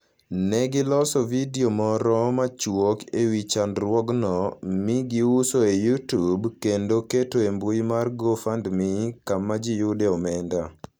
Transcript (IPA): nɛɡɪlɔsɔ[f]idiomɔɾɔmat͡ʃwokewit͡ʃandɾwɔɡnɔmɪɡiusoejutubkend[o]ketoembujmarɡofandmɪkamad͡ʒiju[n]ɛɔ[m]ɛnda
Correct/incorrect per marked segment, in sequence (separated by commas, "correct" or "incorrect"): incorrect, correct, incorrect, correct